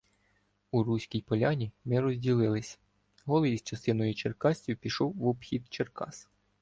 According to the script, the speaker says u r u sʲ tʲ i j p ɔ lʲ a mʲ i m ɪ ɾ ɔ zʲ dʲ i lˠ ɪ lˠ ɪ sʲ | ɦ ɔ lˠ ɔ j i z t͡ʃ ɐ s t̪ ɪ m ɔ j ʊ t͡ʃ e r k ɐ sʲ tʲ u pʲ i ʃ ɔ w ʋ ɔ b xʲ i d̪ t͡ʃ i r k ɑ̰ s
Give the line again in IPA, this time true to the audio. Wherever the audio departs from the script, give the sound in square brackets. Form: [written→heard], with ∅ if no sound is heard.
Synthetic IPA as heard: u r u sʲ [tʲ→kʲ] i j p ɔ lʲ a [mʲ→nʲ] i m ɪ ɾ ɔ zʲ dʲ i lˠ ɪ lˠ ɪ sʲ | ɦ ɔ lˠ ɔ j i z t͡ʃ ɐ s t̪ ɪ [m→n] ɔ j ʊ t͡ʃ e r k [ɐ→ɑ] sʲ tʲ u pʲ i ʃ ɔ w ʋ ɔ b xʲ i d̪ t͡ʃ [i→e] r k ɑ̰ s

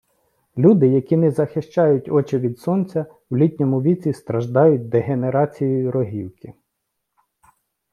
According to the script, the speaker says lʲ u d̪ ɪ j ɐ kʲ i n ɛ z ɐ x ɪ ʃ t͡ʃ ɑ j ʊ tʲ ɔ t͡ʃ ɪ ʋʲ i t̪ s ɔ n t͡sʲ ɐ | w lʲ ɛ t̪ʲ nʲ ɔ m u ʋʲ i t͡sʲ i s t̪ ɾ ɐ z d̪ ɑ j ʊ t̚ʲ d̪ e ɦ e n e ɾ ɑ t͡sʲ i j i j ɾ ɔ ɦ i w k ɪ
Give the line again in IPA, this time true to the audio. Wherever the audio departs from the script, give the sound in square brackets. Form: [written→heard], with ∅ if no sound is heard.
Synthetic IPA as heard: lʲ u d̪ ɪ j ɐ kʲ i n ɛ z ɐ x ɪ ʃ t͡ʃ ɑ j ʊ tʲ ɔ t͡ʃ ɪ ʋʲ i [t̪→d̪] s ɔ n t͡sʲ ɐ | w lʲ [ɛ→i] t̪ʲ nʲ ɔ m [u→ʊ] ʋʲ i t͡sʲ i s t̪ ɾ ɐ [z→ʒ] d̪ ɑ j ʊ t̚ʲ d̪ e ɦ e n e ɾ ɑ t͡sʲ i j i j ɾ ɔ ɦ i w k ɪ

